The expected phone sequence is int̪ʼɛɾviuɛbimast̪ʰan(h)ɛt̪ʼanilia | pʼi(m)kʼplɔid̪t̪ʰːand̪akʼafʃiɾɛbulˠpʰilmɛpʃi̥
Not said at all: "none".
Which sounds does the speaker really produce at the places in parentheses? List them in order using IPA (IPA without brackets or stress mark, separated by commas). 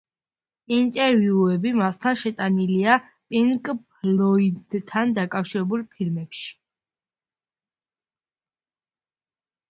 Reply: ʃ, ŋ